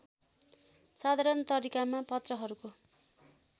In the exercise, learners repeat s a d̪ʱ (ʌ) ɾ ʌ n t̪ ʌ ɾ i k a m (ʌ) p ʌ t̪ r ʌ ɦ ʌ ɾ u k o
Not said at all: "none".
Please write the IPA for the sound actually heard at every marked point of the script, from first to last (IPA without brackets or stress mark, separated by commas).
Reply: a, a